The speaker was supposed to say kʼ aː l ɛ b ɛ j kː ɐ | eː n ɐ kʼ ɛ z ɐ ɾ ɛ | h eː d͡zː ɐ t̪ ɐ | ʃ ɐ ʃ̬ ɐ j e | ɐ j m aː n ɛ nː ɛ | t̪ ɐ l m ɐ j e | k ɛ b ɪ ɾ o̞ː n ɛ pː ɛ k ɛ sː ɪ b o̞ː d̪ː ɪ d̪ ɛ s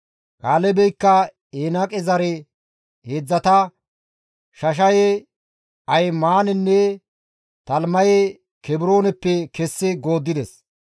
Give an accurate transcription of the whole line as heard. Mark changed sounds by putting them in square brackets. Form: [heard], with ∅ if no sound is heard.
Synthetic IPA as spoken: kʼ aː l ɛ b ɛ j kː ɐ | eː n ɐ kʼ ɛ z ɐ ɾ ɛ | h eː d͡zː ɐ t̪ ɐ | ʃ ɐ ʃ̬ ɐ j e | ɐ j m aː n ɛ nː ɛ | t̪ ɐ l m ɐ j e | k ɛ b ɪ ɾ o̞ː n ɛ pː ɛ k ɛ sː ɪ [ɡ] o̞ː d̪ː ɪ d̪ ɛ s

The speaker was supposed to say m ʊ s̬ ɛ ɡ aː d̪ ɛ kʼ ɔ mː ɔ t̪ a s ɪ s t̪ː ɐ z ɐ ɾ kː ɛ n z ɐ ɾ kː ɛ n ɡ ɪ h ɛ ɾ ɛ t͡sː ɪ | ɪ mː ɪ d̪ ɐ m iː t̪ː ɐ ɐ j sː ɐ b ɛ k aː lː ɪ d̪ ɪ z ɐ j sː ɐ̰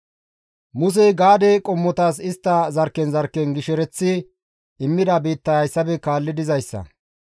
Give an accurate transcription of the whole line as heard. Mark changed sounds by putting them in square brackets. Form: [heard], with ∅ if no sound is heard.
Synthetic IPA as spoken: m ʊ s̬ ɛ ɡ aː d̪ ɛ kʼ ɔ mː ɔ t̪ a s ɪ s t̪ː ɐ z ɐ ɾ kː ɛ n z ɐ ɾ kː ɛ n ɡ ɪ [ʃ] ɛ ɾ ɛ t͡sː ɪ | ɪ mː ɪ d̪ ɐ [b] iː t̪ː ɐ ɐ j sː ɐ b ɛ k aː lː ɪ d̪ ɪ z ɐ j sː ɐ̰

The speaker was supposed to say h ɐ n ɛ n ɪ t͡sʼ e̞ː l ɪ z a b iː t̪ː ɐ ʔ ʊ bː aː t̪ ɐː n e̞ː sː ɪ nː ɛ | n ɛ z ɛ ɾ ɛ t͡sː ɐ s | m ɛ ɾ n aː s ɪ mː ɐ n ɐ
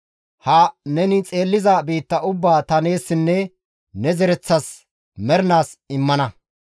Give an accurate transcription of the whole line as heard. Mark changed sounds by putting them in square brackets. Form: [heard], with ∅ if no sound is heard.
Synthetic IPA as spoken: h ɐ n ɛ n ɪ t͡sʼ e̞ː [lː] ɪ z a b iː t̪ː ɐ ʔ ʊ bː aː t̪ [ɐ] n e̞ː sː ɪ nː ɛ | n ɛ z ɛ ɾ ɛ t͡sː ɐ s | m ɛ ɾ n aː s ɪ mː ɐ n ɐ

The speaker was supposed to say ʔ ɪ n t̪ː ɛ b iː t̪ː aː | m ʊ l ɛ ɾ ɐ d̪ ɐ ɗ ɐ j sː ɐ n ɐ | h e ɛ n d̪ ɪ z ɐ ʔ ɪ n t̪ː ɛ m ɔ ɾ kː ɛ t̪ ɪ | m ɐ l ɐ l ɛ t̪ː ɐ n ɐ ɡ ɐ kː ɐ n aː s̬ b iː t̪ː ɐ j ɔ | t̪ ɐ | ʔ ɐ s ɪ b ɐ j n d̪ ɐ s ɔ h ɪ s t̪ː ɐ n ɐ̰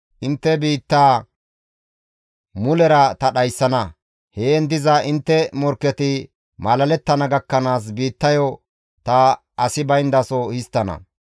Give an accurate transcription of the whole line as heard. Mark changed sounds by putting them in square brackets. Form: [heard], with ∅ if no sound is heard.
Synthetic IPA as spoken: ʔ ɪ n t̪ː ɛ b iː t̪ː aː | m ʊ l ɛ ɾ ɐ [t̪] ɐ ɗ ɐ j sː ɐ n ɐ | h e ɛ n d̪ ɪ z ɐ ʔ ɪ n t̪ː ɛ m ɔ ɾ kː ɛ t̪ ɪ | m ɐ l ɐ l ɛ t̪ː ɐ n ɐ ɡ ɐ kː ɐ n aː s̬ b iː t̪ː ɐ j ɔ | t̪ ɐ | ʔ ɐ s ɪ b ɐ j n d̪ ɐ s ɔ h ɪ s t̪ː ɐ n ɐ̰

